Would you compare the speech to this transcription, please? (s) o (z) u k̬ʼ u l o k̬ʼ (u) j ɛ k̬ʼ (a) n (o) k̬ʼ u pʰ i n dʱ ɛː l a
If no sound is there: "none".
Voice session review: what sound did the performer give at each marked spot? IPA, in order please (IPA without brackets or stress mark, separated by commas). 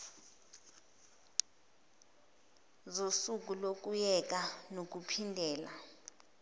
z, s, u, a, o